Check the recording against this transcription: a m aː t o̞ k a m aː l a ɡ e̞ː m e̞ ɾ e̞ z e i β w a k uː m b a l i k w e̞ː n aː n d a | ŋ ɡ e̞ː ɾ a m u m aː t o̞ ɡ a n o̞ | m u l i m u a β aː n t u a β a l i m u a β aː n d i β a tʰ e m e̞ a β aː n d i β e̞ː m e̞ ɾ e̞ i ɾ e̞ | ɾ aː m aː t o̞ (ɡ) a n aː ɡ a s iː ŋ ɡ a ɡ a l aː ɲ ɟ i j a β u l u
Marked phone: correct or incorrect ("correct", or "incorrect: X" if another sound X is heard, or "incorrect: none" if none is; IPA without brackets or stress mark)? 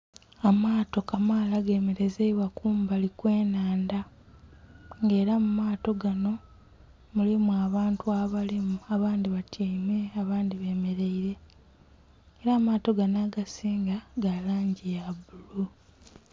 correct